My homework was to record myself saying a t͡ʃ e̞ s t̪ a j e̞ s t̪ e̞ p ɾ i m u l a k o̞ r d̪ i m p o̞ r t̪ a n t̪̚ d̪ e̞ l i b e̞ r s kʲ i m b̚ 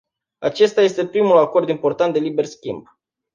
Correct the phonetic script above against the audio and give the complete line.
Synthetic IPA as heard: a t͡ʃ e̞ s t̪ a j e̞ s t̪ e̞ p ɾ i m u l a k o̞ r d̪ i m p o̞ r t̪ a n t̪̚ d̪ e̞ l i b e̞ r s kʲ i m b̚